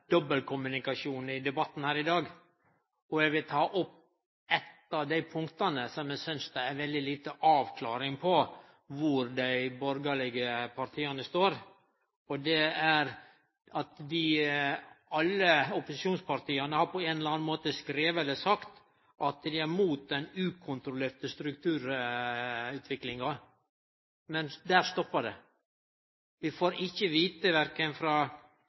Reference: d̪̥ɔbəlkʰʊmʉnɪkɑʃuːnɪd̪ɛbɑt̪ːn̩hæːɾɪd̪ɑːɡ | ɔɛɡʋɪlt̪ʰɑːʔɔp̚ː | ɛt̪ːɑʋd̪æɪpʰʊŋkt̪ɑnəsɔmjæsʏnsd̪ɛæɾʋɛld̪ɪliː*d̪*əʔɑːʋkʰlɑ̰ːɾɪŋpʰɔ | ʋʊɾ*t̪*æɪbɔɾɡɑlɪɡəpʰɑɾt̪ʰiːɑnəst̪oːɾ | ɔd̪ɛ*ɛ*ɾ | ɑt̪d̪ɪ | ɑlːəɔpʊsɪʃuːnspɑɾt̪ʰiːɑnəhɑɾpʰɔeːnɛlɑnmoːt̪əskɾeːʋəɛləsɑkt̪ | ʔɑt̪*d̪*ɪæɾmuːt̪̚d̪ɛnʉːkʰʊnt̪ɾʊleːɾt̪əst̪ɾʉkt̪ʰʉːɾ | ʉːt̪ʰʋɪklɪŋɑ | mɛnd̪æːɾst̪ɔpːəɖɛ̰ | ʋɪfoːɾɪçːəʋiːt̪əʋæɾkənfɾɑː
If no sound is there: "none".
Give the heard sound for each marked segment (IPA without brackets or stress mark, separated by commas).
t̪, d̪, æ, d̪